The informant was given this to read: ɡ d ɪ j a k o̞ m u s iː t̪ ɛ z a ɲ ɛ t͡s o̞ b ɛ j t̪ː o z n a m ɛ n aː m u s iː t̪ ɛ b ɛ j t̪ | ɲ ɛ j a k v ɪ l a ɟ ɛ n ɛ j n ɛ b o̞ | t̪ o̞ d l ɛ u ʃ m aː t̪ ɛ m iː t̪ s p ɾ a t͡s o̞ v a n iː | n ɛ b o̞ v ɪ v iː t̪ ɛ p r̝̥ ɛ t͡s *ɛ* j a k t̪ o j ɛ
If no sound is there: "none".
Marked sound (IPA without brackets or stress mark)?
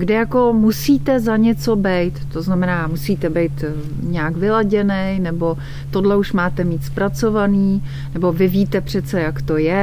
ɛ